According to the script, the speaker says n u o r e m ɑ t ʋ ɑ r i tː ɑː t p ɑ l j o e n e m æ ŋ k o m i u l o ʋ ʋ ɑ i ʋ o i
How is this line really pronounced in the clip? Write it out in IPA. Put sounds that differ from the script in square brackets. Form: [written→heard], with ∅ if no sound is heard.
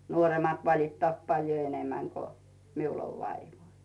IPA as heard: n u o r e m ɑ t ʋ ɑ [r→l] i tː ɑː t p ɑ l j o e n e m æ ŋ k o m i u l o ʋ ʋ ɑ i ʋ o i

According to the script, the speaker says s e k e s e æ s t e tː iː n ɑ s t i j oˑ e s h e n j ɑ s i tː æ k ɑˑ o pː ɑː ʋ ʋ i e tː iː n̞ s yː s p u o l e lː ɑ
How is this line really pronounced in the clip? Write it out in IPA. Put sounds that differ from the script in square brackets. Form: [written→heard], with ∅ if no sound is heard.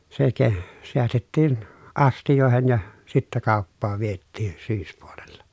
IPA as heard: s e k e s e æ s t e tː iː n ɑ s t i j oˑ e [s→∅] h e n j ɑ s i tː æ k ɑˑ o pː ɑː ʋ ʋ i e tː iː n̞ s yː s p u o l e lː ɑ

